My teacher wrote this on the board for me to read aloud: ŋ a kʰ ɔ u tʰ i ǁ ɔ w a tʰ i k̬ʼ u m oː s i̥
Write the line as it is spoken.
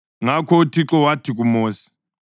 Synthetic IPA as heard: ŋ a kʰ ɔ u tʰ i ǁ ɔ w a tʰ i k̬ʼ u m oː s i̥